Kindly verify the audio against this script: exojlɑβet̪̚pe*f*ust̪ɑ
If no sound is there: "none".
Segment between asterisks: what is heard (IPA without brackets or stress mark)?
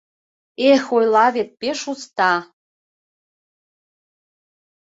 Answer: ʃ